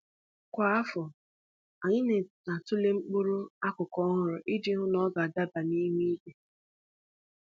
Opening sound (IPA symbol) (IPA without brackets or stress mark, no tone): kʷ